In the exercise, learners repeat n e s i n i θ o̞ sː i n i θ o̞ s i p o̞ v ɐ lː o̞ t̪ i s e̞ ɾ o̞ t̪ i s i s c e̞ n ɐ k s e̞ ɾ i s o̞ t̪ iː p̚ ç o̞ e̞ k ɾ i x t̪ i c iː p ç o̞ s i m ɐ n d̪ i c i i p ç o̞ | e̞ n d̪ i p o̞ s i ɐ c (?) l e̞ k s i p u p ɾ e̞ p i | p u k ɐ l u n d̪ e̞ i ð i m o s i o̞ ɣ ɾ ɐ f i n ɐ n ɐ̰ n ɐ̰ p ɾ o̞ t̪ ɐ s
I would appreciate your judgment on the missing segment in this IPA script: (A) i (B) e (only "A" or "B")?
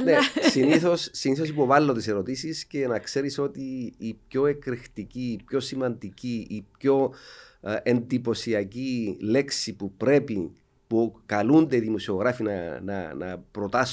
A